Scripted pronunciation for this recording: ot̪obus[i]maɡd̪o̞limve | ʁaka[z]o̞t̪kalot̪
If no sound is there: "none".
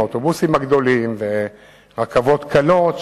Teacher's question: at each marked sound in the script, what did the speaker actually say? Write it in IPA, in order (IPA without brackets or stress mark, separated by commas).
i, v